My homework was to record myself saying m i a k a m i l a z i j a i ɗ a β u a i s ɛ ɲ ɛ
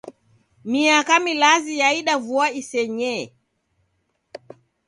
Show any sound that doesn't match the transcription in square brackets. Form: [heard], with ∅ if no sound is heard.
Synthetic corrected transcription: m i a k a m i l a z i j a i ɗ a [v] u a i s ɛ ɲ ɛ